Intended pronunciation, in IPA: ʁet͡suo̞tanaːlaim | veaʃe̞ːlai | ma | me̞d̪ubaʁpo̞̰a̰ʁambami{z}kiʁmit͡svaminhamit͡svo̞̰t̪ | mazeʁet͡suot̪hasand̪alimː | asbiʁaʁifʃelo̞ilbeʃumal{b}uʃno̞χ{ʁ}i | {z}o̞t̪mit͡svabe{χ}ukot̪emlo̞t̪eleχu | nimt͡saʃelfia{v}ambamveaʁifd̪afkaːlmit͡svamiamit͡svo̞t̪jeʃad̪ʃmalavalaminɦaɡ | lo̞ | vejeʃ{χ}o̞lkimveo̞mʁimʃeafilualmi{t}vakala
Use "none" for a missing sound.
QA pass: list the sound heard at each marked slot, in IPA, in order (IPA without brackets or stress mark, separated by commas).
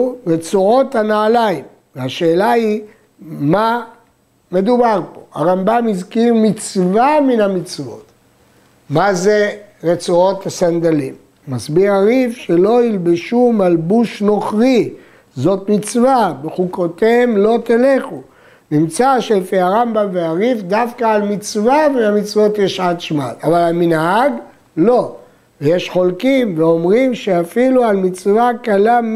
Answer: z, b, ʁ, z, χ, ʁ, χ, t͡s